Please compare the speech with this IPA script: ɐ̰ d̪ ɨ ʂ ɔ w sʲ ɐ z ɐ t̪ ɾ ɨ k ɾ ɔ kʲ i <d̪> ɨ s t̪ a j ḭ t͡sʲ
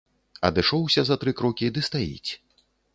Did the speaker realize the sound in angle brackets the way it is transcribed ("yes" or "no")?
yes